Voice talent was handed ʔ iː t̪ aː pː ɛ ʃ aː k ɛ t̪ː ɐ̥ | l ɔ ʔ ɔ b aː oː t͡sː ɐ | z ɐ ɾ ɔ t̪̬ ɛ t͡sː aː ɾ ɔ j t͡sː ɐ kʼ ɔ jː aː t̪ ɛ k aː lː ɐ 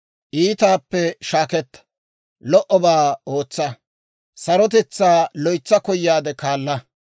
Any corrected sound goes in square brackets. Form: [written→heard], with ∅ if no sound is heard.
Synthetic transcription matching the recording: ʔ iː t̪ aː pː ɛ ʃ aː k ɛ t̪ː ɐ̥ | l ɔ ʔ ɔ b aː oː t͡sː ɐ | [z→s] ɐ ɾ ɔ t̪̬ ɛ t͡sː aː [ɾ→l] ɔ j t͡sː ɐ [kʼ→k] ɔ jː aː [t̪→d̪] ɛ k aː lː ɐ

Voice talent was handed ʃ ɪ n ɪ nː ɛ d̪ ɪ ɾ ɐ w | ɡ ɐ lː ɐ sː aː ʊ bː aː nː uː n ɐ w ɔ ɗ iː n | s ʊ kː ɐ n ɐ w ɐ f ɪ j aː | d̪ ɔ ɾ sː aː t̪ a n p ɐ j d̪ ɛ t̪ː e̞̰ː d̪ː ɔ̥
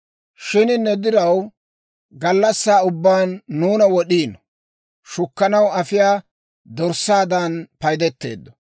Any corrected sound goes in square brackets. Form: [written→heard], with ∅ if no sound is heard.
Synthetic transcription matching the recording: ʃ ɪ n ɪ nː ɛ d̪ ɪ ɾ ɐ w | ɡ ɐ lː ɐ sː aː ʊ bː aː nː uː n ɐ w ɔ ɗ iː n | [s→ʃ] ʊ kː ɐ n ɐ w ɐ f ɪ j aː | d̪ ɔ ɾ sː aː [t̪→d̪] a n p ɐ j d̪ ɛ t̪ː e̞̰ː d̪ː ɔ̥

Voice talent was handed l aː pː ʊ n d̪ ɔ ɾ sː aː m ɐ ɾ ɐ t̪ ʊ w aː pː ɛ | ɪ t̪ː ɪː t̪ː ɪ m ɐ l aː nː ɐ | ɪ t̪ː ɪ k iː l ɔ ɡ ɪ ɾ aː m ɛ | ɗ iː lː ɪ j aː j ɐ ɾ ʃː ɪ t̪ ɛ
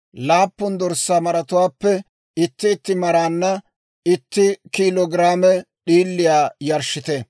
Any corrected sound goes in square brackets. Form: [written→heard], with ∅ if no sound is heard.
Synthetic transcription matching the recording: l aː pː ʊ n d̪ ɔ ɾ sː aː m ɐ ɾ ɐ t̪ ʊ w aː pː ɛ | ɪ t̪ː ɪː t̪ː ɪ m ɐ [l→ɾ] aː nː ɐ | ɪ t̪ː ɪ k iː l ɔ ɡ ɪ ɾ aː m ɛ | ɗ iː lː ɪ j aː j ɐ ɾ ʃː ɪ t̪ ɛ

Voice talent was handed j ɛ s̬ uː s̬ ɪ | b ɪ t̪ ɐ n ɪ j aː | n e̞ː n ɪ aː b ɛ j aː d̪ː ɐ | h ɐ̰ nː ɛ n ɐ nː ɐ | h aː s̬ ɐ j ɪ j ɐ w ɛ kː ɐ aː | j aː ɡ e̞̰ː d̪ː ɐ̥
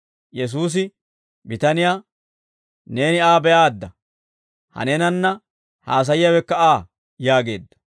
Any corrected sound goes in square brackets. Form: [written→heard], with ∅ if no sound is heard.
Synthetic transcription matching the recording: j ɛ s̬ uː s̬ ɪ | b ɪ t̪ ɐ n ɪ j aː | n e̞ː n ɪ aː b ɛ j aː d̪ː ɐ | h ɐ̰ [nː→n] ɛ n ɐ nː ɐ | h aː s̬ ɐ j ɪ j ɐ w ɛ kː ɐ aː | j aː ɡ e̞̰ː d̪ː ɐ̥

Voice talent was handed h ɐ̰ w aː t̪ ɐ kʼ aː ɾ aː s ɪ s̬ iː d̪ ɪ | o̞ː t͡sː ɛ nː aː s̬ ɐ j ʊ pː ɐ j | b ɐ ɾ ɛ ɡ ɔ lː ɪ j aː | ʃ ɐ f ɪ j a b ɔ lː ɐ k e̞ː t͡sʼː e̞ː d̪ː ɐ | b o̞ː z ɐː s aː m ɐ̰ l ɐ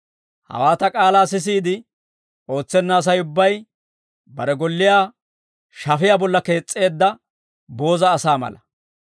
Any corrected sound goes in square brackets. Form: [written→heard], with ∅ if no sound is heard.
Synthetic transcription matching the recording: h ɐ̰ w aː t̪ ɐ kʼ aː [ɾ→l] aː s ɪ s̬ iː d̪ ɪ | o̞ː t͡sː ɛ nː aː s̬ ɐ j ʊ [pː→bː] ɐ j | b ɐ ɾ ɛ ɡ ɔ lː ɪ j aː | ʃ ɐ f ɪ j a b ɔ lː ɐ k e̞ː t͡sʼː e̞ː d̪ː ɐ | b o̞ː z ɐː s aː m ɐ̰ l ɐ

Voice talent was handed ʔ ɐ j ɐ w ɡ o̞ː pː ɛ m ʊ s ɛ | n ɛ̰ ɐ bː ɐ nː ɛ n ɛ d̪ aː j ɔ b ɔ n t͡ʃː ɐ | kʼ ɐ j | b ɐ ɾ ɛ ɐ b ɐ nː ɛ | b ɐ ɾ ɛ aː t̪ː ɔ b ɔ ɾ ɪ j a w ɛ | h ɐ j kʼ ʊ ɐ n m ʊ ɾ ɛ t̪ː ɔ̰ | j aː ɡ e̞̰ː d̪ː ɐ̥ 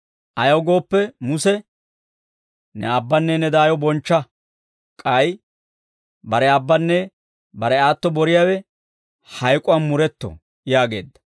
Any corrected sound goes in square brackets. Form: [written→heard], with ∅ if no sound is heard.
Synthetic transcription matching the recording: ʔ ɐ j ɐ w ɡ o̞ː pː ɛ m ʊ s ɛ | n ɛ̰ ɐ bː ɐ nː ɛ n ɛ d̪ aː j ɔ b ɔ n t͡ʃː ɐ | kʼ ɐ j | b ɐ ɾ ɛ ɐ [b→bː] ɐ nː ɛ | b ɐ ɾ ɛ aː t̪ː ɔ b ɔ ɾ ɪ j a w ɛ | h ɐ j kʼ ʊ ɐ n m ʊ ɾ ɛ t̪ː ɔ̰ | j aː ɡ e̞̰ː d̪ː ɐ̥

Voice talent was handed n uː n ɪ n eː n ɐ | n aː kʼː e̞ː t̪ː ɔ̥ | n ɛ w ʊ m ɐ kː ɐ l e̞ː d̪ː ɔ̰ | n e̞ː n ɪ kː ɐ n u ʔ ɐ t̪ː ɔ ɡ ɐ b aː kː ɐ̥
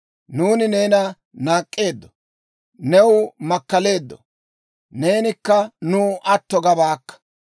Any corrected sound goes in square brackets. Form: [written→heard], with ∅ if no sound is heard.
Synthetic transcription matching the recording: n uː n ɪ n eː n ɐ | n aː kʼː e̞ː [t̪ː→d̪ː] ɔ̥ | n ɛ w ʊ m ɐ kː ɐ l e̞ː d̪ː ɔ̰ | n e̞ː n ɪ kː ɐ n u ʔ ɐ t̪ː ɔ ɡ ɐ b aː kː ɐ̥

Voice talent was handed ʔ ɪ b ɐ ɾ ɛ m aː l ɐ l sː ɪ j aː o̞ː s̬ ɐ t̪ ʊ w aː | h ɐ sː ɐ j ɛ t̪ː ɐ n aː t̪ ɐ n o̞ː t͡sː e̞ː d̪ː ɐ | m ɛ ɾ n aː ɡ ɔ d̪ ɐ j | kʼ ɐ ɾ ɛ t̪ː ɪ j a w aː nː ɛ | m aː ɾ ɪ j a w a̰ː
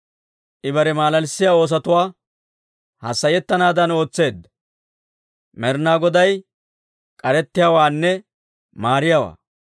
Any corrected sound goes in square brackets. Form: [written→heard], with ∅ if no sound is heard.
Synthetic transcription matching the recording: ʔ ɪ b ɐ ɾ ɛ m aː l ɐ l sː ɪ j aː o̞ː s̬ ɐ t̪ ʊ w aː | h ɐ sː ɐ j ɛ t̪ː ɐ n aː [t̪→d̪] ɐ n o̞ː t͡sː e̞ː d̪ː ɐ | m ɛ ɾ n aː ɡ ɔ d̪ ɐ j | kʼ ɐ ɾ ɛ t̪ː ɪ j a w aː nː ɛ | m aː ɾ ɪ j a w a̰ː

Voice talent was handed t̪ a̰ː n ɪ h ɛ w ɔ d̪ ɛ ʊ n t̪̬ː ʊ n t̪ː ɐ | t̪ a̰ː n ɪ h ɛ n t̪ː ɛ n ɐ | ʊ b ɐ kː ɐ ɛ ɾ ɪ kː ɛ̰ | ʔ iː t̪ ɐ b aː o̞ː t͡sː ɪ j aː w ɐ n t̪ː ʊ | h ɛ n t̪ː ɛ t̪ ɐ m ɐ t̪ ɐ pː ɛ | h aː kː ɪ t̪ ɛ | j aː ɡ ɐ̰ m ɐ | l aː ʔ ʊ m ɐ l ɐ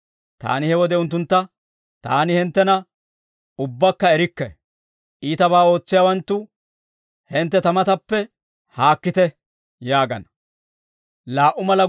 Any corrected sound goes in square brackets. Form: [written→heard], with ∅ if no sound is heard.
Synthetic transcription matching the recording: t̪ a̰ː n ɪ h ɛ w ɔ d̪ ɛ ʊ n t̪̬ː ʊ n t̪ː ɐ | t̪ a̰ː n ɪ h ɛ n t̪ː ɛ n ɐ | ʊ [b→bː] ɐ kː ɐ ɛ ɾ ɪ kː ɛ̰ | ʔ iː t̪ ɐ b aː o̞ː t͡sː ɪ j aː w ɐ n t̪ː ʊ | h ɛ n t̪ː ɛ t̪ ɐ m ɐ t̪ ɐ pː ɛ | h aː kː ɪ t̪ ɛ | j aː ɡ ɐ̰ [m→n] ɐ | l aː ʔ ʊ m ɐ l ɐ

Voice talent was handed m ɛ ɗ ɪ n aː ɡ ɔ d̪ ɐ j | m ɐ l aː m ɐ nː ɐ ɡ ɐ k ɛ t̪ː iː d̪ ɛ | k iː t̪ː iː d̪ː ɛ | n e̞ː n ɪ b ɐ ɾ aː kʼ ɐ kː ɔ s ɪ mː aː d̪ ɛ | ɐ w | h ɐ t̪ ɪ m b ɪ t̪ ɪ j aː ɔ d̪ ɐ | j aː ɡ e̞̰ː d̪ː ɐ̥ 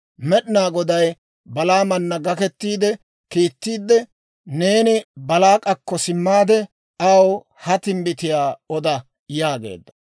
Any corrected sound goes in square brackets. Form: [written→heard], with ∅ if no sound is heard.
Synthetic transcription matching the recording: m ɛ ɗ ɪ n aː ɡ ɔ d̪ ɐ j | [m→b] ɐ l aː m ɐ nː ɐ ɡ ɐ k ɛ t̪ː iː d̪ ɛ | k iː t̪ː iː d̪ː ɛ | n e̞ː n ɪ b ɐ [ɾ→l] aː kʼ ɐ kː ɔ s ɪ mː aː d̪ ɛ | ɐ w | h ɐ t̪ ɪ m b ɪ t̪ ɪ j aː ɔ d̪ ɐ | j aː ɡ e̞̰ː d̪ː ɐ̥

